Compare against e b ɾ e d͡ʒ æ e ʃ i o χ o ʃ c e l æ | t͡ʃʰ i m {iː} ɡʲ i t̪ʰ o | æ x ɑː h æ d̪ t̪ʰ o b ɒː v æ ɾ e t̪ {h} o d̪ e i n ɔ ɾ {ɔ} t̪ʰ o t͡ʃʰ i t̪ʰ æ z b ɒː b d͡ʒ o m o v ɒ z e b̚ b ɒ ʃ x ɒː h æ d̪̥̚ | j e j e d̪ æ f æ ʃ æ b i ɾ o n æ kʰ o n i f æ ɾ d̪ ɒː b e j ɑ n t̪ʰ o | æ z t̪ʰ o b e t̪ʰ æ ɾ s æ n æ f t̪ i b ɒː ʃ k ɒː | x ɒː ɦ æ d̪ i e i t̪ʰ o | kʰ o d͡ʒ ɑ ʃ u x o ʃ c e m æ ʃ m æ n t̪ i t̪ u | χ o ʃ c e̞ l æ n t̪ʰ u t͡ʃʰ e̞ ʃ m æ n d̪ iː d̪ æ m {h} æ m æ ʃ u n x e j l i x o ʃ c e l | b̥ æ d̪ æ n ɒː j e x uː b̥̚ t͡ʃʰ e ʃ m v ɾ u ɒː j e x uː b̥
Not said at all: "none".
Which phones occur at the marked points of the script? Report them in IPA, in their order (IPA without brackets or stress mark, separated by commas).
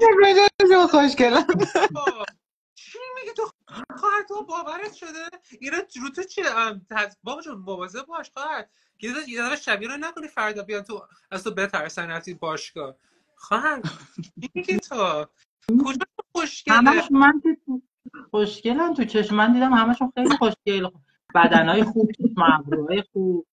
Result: i, ʃ, u, h